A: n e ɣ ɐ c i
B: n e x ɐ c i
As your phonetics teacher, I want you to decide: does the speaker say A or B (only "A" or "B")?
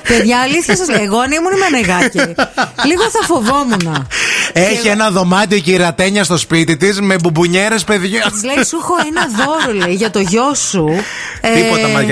A